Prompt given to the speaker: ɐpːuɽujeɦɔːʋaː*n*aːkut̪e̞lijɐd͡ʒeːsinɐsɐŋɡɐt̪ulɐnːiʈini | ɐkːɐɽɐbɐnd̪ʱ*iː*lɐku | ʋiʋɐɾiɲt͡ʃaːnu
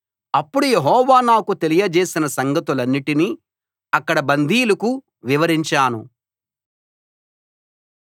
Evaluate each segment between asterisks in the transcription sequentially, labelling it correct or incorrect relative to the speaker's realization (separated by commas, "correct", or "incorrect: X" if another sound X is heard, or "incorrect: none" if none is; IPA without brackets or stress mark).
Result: correct, correct